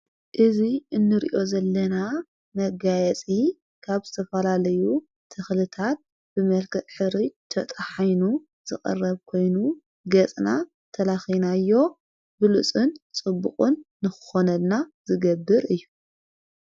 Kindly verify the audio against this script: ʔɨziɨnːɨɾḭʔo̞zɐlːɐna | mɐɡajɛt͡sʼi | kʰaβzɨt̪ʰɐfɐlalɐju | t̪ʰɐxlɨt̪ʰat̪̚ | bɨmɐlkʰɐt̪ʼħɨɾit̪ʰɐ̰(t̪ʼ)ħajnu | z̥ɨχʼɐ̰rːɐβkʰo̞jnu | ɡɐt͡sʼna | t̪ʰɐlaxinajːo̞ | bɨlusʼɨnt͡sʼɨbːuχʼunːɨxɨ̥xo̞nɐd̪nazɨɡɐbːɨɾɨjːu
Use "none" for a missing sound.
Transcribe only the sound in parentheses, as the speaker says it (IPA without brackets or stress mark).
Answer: t̪ʼ